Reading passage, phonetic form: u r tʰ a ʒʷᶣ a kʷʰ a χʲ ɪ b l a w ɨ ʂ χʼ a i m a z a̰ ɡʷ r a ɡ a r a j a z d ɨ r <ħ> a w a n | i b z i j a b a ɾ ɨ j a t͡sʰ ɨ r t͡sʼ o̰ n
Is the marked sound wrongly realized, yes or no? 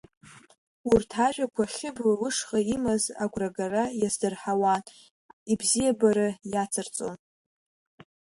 no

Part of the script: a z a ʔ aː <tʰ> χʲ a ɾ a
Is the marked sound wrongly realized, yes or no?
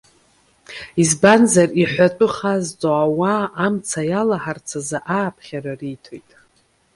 yes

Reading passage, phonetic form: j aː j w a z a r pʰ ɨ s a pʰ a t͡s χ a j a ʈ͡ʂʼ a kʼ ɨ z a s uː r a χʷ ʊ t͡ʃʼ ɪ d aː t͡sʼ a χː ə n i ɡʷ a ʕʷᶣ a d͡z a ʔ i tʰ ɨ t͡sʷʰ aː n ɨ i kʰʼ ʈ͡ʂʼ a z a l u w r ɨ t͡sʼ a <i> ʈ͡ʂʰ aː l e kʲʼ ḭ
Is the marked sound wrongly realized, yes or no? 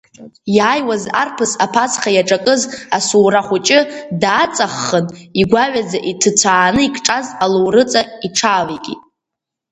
no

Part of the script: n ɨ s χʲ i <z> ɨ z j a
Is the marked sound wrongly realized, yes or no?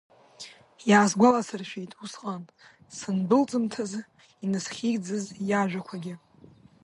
yes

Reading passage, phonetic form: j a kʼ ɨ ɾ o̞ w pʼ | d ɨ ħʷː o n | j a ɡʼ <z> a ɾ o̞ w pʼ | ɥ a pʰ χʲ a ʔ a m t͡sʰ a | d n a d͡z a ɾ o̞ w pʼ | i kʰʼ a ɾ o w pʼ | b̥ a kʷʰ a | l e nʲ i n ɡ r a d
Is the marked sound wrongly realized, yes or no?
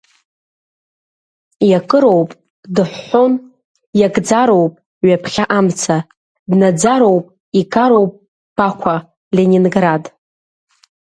yes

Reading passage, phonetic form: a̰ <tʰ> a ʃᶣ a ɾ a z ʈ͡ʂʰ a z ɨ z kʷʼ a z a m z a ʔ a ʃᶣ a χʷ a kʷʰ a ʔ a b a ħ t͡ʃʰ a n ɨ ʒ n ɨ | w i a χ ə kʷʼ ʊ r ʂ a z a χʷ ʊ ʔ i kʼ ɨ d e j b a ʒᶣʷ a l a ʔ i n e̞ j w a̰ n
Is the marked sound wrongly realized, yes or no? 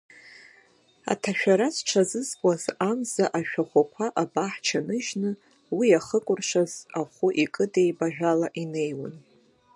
no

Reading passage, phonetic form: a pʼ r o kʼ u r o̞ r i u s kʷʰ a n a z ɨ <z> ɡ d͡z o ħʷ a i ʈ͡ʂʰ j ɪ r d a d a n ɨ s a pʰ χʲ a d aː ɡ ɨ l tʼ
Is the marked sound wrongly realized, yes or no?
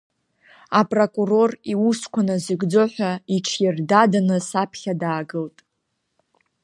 yes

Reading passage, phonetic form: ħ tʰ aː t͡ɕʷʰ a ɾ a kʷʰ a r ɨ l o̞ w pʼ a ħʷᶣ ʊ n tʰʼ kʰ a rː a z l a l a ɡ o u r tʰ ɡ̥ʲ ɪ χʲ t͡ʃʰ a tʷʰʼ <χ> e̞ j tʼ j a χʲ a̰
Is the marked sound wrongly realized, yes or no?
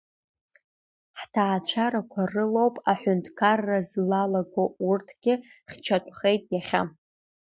no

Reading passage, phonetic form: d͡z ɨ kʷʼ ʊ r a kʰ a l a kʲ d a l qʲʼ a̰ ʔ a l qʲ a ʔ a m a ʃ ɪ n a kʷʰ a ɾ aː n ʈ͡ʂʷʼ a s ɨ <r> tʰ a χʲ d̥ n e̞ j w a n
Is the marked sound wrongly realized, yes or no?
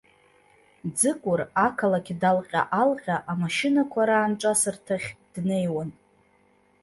no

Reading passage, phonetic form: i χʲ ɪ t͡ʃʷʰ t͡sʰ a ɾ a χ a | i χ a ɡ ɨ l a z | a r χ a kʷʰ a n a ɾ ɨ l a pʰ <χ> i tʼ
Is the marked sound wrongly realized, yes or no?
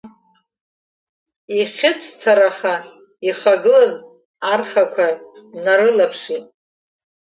yes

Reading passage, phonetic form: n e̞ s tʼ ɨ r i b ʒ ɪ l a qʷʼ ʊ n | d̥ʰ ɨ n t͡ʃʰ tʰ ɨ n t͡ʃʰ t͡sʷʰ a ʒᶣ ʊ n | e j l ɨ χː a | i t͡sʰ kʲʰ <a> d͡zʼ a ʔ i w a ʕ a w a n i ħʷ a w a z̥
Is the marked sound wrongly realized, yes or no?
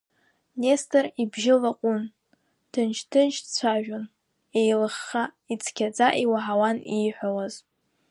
no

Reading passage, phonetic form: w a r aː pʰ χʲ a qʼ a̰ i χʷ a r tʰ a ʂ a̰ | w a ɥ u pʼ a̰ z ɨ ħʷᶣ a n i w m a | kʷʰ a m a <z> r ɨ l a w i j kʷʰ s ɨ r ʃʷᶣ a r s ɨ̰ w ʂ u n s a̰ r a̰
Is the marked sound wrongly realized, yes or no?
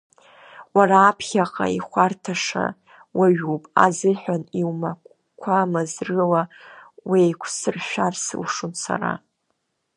no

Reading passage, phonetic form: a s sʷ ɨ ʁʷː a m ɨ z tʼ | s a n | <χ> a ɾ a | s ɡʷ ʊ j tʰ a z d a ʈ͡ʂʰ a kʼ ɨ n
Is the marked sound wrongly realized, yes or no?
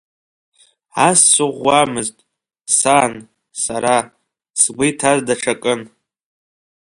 yes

